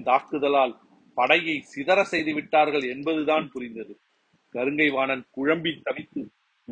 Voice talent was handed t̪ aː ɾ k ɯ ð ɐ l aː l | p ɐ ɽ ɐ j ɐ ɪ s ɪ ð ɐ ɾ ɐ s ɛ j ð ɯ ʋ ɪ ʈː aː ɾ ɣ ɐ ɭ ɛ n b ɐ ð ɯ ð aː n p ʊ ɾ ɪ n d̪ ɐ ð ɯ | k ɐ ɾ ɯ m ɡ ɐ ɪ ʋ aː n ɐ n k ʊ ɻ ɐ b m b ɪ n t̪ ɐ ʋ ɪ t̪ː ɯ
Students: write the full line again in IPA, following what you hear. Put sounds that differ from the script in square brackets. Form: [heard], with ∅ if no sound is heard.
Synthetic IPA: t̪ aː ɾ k ɯ ð ɐ l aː l | p ɐ ɽ ɐ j ɐ ɪ s ɪ ð ɐ ɾ ɐ s ɛ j ð ɯ ʋ ɪ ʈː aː ɾ ɣ ɐ ɭ ɛ n b ɐ ð ɯ ð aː n p ʊ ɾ ɪ n d̪ ɐ ð ɯ | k ɐ ɾ ɯ [ŋ] ɡ ɐ ɪ ʋ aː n ɐ n k ʊ ɻ ɐ [∅] m b ɪ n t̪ ɐ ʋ ɪ t̪ː ɯ